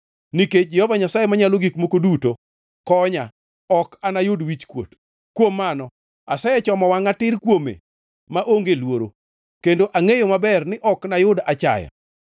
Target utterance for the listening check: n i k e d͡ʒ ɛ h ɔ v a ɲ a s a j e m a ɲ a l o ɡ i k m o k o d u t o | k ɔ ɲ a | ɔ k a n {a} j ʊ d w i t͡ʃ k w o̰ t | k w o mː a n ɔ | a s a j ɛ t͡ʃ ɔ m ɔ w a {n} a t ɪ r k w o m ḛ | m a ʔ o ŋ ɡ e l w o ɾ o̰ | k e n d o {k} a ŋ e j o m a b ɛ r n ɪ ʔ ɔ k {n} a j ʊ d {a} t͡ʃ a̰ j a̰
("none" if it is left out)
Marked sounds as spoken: a, ŋ, ʔ, n, a

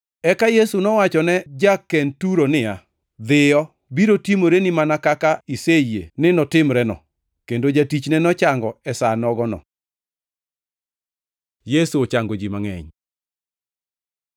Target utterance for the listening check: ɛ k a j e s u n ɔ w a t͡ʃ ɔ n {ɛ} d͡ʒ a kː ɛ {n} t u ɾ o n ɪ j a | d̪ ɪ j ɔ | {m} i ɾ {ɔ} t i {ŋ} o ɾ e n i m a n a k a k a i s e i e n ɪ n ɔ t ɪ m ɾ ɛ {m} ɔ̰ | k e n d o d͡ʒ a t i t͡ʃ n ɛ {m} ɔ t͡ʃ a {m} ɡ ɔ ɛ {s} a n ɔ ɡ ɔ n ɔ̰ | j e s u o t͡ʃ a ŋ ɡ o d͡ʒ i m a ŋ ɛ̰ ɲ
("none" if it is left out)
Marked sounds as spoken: ɛ, n, b, o, m, n, n, ŋ, s

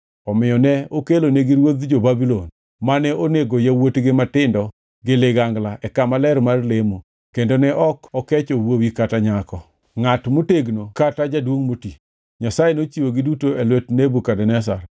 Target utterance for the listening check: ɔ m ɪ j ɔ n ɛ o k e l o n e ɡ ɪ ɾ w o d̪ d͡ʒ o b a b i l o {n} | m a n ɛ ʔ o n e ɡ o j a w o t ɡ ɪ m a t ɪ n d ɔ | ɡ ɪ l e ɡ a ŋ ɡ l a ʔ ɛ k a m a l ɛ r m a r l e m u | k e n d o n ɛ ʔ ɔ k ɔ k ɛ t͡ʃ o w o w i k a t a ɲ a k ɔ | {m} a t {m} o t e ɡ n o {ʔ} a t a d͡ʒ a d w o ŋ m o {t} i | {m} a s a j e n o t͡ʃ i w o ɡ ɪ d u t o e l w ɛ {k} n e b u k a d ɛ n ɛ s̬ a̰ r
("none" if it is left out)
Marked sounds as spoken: n, ŋ, m, k, t, ɲ, t

